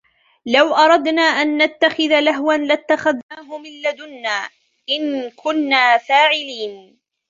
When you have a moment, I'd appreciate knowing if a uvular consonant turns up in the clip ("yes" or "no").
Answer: no